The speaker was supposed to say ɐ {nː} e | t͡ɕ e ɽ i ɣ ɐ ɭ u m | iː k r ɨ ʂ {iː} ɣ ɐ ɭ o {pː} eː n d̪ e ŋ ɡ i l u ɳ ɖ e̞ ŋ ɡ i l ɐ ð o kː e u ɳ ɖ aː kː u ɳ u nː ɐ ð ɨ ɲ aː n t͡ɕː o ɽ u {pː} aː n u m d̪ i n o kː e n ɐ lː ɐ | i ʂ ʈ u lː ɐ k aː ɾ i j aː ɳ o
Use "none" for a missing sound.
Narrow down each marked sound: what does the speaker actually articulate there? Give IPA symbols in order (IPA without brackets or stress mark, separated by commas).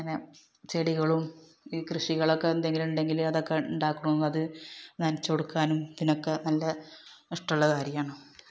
n, i, kː, kː